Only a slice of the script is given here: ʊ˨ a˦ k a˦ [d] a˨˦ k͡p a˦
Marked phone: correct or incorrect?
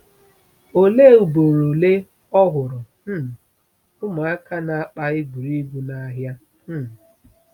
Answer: incorrect